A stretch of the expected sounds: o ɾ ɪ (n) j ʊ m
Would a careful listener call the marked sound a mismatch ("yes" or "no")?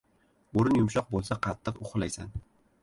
no